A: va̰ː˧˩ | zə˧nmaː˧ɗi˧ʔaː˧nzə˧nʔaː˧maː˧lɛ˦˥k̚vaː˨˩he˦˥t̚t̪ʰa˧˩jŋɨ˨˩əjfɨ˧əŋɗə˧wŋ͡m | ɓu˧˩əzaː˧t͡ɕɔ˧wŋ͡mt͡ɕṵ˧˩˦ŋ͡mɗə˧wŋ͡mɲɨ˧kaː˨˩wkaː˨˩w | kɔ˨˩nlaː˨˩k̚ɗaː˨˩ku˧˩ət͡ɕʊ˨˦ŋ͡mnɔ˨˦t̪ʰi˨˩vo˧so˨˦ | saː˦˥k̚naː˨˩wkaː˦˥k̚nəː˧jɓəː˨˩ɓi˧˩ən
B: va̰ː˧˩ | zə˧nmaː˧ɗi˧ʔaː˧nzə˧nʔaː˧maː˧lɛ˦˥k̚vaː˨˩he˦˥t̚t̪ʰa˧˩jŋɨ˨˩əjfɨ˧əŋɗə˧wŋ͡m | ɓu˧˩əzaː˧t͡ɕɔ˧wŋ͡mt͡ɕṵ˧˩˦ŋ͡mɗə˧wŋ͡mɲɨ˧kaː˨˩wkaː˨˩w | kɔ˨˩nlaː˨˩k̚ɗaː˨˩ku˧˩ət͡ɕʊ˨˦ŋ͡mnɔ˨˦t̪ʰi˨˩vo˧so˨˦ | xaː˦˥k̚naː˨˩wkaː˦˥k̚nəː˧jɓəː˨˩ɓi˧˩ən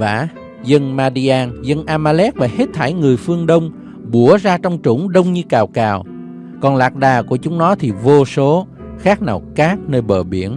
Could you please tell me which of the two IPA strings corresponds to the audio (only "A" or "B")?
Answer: B